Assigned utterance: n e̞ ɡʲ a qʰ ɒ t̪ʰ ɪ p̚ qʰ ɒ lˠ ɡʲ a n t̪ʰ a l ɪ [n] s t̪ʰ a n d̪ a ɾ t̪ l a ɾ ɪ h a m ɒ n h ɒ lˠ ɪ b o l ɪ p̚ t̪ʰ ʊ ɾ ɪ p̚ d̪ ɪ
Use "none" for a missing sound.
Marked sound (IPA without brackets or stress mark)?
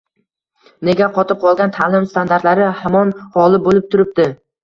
m